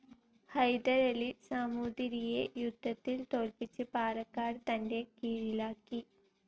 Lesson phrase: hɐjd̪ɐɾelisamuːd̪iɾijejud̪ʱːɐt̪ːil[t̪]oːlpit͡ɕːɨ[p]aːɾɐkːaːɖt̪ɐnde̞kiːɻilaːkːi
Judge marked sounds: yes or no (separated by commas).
yes, yes